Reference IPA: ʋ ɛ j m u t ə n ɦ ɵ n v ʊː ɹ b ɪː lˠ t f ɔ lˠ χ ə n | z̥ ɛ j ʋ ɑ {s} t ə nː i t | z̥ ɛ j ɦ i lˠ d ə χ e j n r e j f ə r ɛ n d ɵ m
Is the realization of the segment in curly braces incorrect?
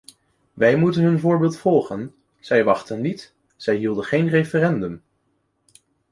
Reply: yes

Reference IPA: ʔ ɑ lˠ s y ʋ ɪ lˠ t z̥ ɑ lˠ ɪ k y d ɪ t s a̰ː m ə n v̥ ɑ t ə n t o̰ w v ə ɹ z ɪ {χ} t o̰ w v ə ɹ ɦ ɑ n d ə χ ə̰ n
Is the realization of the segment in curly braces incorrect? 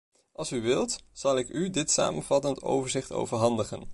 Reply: no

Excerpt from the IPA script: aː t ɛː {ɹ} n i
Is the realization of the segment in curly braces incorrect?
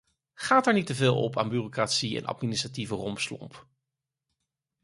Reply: no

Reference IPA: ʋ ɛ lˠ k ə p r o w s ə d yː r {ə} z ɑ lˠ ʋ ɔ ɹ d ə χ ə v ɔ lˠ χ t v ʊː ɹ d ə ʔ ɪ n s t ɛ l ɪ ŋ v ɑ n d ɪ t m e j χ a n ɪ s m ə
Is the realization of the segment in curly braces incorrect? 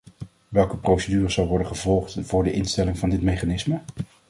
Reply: no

